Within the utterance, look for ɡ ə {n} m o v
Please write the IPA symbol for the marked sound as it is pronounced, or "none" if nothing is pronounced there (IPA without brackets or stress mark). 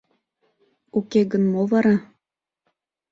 n